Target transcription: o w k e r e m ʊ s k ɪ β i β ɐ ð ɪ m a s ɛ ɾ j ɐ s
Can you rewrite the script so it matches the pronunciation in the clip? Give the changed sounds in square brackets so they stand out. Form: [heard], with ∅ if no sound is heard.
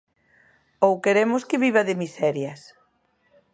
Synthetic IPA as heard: o w k e [ɾ] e m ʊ s k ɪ β i β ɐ ð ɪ m [i] s ɛ ɾ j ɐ s